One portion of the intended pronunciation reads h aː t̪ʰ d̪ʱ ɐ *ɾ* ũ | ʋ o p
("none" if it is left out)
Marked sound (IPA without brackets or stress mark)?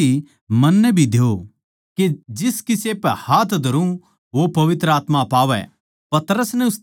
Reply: ɾ